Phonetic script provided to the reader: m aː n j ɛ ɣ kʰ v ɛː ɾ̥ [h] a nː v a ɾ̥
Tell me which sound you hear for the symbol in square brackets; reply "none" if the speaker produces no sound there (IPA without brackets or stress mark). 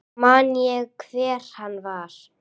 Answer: h